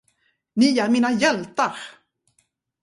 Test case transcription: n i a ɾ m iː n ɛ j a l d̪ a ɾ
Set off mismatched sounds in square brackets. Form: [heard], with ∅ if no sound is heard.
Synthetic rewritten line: n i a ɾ m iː n [a] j [ɛ] l [t̪] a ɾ